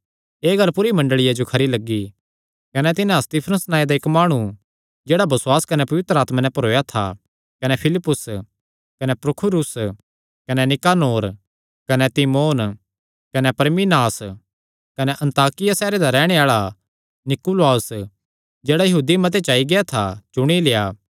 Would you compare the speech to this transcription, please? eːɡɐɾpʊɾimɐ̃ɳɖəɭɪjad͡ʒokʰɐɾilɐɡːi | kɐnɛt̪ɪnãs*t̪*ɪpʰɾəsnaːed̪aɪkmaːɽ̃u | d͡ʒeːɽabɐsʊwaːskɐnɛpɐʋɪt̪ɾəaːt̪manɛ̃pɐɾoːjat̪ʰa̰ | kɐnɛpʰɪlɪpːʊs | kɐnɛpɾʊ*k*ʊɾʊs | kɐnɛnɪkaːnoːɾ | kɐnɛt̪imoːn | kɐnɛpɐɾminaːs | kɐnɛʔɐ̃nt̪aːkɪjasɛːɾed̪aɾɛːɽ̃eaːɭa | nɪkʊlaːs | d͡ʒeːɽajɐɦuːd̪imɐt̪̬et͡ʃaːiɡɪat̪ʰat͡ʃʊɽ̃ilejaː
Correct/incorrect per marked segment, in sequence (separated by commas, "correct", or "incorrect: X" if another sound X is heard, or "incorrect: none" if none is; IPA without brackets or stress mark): correct, incorrect: kʰ